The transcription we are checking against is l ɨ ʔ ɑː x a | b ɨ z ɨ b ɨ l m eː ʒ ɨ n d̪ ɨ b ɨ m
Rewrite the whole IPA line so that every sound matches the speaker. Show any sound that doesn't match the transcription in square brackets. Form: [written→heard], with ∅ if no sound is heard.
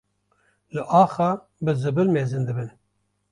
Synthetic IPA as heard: l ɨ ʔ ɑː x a | b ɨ z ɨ b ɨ l m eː [ʒ→z] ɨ n d̪ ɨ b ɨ [m→n]

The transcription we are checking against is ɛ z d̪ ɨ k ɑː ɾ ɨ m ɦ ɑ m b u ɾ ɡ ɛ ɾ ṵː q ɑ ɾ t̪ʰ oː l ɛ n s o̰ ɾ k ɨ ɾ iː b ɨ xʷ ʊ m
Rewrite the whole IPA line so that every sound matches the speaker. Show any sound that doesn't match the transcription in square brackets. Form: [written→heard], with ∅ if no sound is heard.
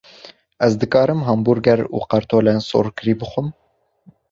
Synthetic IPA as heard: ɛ z d̪ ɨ k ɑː ɾ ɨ m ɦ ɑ m b u ɾ ɡ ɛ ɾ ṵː q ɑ ɾ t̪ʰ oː l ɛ n s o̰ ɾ k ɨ ɾ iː b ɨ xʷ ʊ m

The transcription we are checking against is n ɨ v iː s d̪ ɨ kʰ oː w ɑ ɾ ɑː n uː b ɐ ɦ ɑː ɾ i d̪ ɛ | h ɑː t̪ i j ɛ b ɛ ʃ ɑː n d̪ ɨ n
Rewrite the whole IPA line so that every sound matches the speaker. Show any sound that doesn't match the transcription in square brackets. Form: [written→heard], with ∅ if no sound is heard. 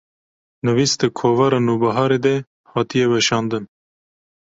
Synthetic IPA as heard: n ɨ v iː s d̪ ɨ kʰ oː [w→v] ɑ ɾ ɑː n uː b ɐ ɦ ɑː ɾ [i→e] d̪ ɛ | h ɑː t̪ i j ɛ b ɛ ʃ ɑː n d̪ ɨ n

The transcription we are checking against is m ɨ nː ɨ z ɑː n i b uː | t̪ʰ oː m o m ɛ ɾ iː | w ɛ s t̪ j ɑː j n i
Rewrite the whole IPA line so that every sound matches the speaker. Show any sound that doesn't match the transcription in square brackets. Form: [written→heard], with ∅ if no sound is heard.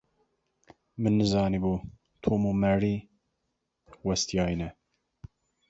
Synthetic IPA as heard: m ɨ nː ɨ z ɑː n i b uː | t̪ʰ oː m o m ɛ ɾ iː | w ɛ s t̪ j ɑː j n [i→ɛ]

